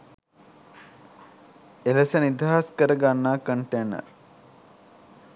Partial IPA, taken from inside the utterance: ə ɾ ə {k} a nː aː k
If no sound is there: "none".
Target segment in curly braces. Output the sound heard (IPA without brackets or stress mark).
ɡ